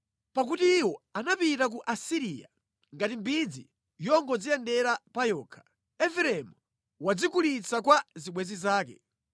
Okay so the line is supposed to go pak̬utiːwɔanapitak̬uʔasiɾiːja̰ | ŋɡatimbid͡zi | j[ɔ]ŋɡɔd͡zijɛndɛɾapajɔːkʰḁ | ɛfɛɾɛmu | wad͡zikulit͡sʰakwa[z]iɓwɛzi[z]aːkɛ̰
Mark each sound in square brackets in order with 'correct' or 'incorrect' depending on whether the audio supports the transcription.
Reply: correct, correct, correct

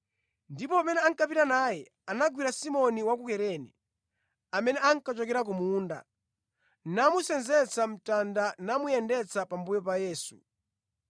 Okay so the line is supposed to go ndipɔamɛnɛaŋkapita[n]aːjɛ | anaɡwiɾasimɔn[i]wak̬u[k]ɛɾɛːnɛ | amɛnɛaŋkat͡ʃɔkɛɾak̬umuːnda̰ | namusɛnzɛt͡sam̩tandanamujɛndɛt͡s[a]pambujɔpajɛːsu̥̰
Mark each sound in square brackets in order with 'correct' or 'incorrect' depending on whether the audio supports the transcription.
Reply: correct, correct, correct, correct

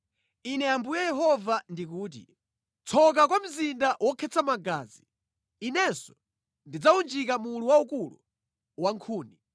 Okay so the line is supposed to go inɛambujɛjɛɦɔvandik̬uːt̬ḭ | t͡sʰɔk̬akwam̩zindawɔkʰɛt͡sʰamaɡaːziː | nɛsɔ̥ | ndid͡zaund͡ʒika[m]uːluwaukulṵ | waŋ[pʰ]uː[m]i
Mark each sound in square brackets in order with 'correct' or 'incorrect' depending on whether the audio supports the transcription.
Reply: correct, incorrect: kʰ, incorrect: n

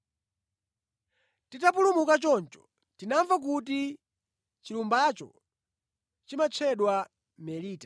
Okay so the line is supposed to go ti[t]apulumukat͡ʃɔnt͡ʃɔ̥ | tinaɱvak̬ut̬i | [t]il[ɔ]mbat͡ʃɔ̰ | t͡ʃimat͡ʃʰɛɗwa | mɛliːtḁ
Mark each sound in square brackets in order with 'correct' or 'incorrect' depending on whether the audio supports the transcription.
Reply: correct, incorrect: t͡ʃ, incorrect: u

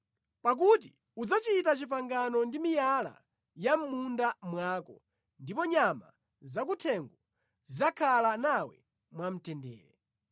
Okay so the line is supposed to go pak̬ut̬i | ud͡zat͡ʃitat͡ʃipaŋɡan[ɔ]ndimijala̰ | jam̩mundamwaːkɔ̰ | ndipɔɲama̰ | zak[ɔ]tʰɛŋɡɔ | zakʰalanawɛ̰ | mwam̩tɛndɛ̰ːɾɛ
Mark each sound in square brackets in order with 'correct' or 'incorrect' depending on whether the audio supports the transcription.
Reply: correct, incorrect: u

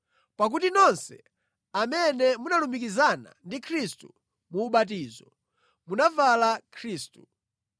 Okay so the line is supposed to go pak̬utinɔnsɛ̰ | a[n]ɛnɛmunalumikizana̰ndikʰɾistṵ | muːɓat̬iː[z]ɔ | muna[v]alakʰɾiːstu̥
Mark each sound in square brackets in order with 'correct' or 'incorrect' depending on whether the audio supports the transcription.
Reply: incorrect: m, correct, correct

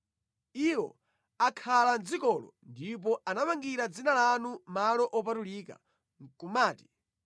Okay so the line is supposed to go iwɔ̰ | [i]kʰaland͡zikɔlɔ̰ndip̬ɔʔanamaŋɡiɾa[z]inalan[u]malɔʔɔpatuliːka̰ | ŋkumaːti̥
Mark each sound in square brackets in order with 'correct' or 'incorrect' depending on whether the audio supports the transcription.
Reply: incorrect: a, incorrect: d͡z, correct

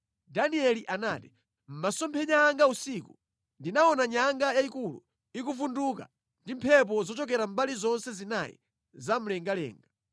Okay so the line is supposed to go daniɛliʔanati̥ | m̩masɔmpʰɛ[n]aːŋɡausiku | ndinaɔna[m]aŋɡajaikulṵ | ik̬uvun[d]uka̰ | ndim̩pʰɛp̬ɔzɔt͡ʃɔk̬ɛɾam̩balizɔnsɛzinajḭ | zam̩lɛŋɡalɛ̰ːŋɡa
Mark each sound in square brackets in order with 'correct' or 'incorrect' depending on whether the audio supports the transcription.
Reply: incorrect: ɲ, incorrect: ɲ, correct

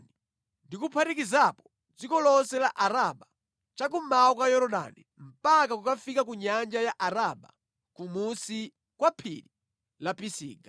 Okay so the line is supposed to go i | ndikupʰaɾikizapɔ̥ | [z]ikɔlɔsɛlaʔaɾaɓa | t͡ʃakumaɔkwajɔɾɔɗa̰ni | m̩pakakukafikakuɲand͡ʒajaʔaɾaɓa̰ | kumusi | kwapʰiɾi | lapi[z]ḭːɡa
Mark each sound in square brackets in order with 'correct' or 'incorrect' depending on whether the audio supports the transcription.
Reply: incorrect: d͡z, incorrect: s

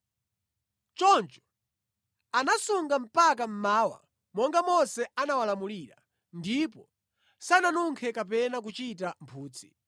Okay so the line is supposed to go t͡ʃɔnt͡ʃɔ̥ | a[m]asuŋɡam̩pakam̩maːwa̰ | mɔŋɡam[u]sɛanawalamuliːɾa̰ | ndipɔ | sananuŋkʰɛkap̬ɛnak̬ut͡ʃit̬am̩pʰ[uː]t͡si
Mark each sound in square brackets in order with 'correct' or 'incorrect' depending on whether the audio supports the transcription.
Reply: incorrect: n, incorrect: ɔ, correct

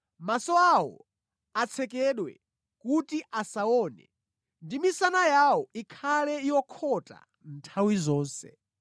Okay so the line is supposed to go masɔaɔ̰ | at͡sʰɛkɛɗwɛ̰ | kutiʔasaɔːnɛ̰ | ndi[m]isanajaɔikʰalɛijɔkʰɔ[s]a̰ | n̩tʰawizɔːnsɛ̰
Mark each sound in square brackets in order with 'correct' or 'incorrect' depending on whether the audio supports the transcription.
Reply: correct, incorrect: t

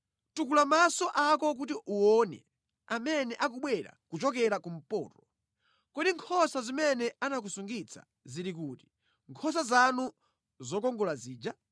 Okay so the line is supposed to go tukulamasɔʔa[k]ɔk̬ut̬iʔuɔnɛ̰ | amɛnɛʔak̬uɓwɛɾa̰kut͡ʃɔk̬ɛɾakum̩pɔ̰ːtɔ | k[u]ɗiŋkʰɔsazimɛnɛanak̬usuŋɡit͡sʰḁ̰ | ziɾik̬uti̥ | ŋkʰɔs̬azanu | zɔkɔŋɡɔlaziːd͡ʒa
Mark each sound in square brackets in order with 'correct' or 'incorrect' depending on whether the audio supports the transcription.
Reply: correct, incorrect: ɔ

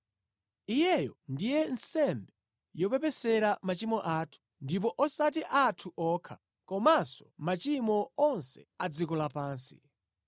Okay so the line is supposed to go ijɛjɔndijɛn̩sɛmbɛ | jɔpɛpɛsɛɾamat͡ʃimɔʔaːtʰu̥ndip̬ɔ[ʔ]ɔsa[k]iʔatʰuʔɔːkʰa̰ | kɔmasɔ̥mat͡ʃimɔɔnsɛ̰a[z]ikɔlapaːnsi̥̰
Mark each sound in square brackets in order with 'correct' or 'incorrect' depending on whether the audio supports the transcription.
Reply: correct, incorrect: t, incorrect: d͡z

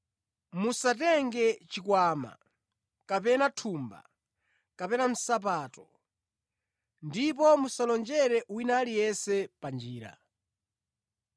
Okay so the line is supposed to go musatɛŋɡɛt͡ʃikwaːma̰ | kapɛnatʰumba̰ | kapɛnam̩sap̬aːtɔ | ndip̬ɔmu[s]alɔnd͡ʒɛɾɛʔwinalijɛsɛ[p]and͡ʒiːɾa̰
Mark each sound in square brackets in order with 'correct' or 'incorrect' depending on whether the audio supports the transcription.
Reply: correct, correct

